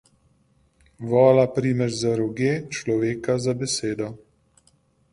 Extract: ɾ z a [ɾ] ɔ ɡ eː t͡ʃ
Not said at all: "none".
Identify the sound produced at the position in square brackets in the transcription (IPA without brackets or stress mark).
ɾ